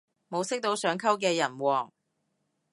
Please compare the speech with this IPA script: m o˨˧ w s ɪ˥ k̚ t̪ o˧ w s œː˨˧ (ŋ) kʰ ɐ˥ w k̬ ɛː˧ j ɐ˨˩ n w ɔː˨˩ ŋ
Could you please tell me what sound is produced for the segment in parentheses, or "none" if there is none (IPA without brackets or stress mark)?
ŋ